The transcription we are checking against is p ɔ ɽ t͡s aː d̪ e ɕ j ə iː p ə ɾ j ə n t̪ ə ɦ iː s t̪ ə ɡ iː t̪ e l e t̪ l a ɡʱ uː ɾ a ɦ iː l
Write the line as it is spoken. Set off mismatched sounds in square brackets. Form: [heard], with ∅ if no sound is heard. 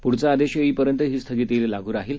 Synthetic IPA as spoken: p [u] ɽ t͡s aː d̪ e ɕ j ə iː p ə ɾ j ə n t̪ ə ɦ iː s [t̪ʰ] ə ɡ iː t̪ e l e [∅] l a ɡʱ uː ɾ a ɦ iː l